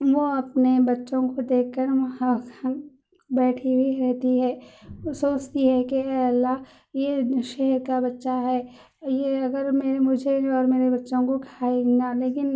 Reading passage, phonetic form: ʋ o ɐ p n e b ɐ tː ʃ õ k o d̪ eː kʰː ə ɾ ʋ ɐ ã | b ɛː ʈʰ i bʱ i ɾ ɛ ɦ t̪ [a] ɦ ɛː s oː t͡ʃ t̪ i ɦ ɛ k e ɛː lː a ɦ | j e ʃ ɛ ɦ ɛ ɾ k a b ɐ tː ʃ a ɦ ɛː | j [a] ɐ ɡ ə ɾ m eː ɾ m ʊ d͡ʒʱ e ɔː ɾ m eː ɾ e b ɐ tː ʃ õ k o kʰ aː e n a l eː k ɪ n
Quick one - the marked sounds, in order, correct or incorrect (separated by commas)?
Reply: incorrect, incorrect